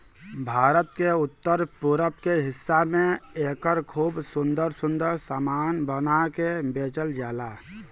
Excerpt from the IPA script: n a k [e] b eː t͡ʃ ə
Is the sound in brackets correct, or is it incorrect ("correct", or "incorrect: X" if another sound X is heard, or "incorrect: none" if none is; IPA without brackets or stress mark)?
correct